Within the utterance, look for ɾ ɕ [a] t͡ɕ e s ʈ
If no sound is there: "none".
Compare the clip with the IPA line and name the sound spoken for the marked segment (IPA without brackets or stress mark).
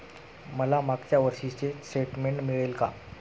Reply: i